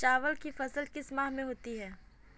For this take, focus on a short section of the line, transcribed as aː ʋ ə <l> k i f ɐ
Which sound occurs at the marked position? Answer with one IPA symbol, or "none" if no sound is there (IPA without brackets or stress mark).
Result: l